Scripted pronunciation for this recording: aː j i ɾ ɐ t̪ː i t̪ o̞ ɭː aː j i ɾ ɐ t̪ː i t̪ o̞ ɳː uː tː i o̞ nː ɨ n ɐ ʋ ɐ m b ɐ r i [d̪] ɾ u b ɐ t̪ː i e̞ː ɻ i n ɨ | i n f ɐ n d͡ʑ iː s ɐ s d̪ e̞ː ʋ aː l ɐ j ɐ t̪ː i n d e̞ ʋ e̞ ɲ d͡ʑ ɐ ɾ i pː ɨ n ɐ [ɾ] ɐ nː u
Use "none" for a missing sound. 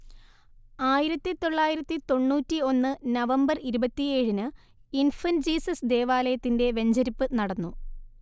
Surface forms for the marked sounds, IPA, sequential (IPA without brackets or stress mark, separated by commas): none, ɽ